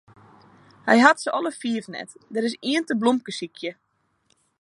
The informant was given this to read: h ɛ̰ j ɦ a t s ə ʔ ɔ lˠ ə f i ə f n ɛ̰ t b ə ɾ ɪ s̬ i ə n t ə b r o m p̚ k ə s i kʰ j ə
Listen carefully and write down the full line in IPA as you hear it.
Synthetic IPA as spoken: h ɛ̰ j ɦ a t s ə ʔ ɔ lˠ ə f i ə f n ɛ̰ t d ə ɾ ɪ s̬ i ə n t ə b l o m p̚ k ə s i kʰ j ə